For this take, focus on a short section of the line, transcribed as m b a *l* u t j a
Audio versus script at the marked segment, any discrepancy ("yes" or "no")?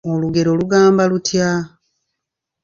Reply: no